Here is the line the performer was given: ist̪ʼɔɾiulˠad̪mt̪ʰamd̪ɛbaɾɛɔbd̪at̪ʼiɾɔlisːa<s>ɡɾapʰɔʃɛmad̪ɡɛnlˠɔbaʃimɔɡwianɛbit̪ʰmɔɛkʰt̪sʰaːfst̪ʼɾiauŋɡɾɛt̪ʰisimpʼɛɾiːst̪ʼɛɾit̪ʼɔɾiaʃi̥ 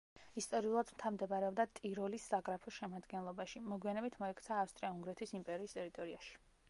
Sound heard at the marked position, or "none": none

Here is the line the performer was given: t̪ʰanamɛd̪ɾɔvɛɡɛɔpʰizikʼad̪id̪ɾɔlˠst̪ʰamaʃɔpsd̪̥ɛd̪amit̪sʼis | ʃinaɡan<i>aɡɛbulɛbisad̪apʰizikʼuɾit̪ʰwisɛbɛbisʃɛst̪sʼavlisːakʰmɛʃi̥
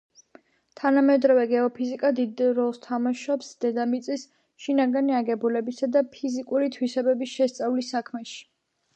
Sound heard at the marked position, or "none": i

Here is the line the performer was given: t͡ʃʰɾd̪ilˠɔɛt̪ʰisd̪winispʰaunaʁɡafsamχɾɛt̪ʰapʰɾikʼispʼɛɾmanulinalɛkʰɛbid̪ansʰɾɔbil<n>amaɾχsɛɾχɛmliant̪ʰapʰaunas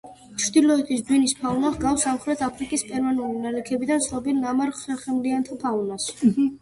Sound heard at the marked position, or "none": n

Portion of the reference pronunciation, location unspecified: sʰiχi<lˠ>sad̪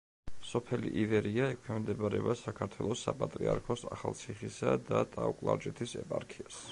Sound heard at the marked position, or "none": none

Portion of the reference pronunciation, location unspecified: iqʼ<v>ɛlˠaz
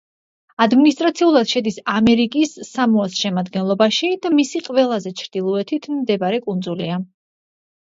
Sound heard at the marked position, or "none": v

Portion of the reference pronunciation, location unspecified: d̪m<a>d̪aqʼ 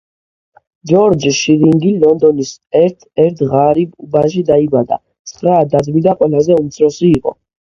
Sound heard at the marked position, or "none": i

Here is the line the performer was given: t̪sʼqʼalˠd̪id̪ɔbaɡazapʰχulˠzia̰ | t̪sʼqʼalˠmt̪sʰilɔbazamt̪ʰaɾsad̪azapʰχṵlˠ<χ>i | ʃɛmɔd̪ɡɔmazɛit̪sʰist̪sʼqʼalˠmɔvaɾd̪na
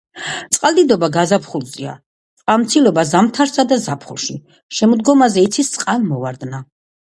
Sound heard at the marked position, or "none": ʃ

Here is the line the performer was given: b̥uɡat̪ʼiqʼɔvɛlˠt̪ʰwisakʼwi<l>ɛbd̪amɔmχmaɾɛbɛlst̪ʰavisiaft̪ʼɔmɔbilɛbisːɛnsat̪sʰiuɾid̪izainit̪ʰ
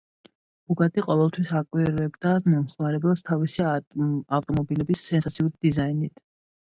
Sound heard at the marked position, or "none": ɾ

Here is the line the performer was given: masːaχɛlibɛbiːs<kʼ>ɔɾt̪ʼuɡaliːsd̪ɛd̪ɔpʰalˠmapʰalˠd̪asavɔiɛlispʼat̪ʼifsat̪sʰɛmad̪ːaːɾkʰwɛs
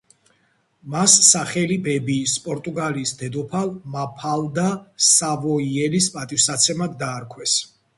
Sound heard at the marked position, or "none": pʼ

